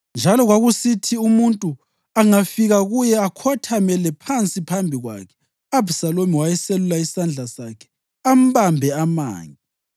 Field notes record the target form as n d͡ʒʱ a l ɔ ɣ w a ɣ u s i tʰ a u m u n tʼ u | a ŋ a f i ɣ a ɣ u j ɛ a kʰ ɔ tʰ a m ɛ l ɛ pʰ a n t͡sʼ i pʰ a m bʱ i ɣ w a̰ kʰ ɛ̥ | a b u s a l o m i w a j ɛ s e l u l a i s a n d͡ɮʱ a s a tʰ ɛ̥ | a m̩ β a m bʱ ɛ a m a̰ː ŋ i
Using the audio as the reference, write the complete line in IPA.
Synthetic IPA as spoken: n d͡ʒʱ a l ɔ ɣ w a ɣ u s i tʰ i u m u n tʼ u | a ŋ a f i ɣ a ɣ u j ɛ a kʰ ɔ tʰ a m ɛ l ɛ pʰ a n t͡sʼ i pʰ a m bʱ i ɣ w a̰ kʰ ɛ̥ | a b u s a l o m i w a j ɛ s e l u l a i s a n d͡ɮʱ a s a kʰ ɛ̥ | a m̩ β a m bʱ ɛ a m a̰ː ŋ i